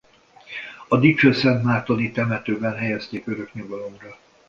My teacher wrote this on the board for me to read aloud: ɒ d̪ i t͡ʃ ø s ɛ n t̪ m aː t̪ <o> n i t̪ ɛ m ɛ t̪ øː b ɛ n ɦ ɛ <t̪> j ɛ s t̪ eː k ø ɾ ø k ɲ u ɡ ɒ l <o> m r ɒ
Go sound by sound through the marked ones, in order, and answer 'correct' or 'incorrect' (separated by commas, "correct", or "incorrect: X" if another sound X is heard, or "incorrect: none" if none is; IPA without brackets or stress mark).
correct, incorrect: none, correct